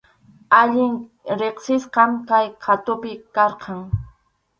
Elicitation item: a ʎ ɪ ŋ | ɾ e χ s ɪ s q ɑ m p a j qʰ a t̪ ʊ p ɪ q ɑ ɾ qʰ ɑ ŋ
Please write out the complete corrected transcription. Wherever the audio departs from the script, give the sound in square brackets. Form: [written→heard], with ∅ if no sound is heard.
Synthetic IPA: a ʎ ɪ ŋ | ɾ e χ s ɪ s q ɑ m [p→k] a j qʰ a t̪ ʊ p ɪ [q→k] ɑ ɾ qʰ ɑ ŋ